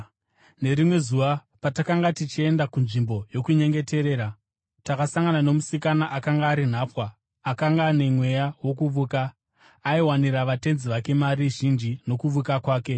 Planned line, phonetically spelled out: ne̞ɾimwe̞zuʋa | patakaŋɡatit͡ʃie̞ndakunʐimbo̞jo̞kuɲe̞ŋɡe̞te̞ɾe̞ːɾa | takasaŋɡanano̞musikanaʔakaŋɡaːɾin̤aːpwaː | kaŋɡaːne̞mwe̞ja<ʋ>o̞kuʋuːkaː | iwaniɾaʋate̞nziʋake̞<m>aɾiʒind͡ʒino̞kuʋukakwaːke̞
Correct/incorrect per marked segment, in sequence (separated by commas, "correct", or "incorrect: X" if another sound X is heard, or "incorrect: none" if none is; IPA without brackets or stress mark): incorrect: w, correct